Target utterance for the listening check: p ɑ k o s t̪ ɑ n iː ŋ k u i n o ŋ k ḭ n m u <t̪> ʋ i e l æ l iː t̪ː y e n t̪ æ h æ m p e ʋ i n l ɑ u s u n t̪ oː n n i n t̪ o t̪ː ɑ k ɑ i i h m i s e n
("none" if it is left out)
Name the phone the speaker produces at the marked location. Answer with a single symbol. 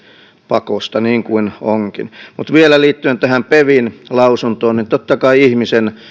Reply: t̪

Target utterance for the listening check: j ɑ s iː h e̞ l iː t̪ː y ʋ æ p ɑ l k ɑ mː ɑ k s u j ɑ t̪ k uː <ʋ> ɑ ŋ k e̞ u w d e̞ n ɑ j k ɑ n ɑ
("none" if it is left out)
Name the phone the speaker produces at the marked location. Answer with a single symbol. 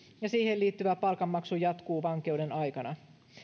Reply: ʋ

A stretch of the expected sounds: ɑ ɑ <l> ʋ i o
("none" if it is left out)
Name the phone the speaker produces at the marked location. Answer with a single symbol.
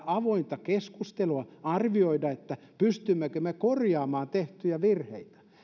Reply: r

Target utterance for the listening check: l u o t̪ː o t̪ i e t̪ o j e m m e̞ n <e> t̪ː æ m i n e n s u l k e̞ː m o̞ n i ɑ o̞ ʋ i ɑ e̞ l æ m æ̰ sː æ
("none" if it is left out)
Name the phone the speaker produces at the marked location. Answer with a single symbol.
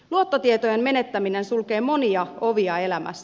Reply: e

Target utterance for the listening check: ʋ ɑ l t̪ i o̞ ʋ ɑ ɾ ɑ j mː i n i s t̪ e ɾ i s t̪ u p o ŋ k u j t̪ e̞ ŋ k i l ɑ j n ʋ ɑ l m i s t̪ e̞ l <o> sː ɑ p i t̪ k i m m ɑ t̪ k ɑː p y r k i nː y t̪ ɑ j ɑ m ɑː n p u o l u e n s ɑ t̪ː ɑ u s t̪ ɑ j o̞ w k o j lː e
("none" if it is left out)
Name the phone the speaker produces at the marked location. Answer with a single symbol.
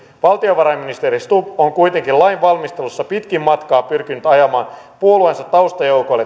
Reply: u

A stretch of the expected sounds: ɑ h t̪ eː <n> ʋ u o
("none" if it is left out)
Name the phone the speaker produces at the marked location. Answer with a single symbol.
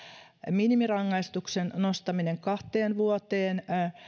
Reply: n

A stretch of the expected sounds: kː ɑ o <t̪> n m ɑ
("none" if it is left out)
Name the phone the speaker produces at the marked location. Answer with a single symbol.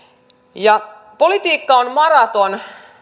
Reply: none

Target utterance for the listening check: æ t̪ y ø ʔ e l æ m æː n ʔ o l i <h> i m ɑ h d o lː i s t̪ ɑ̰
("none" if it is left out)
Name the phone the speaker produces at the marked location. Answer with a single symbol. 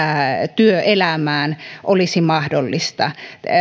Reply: s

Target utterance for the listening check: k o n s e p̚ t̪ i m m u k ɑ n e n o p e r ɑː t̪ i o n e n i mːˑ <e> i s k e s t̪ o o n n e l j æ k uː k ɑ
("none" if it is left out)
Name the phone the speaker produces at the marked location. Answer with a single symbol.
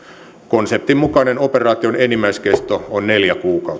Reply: æ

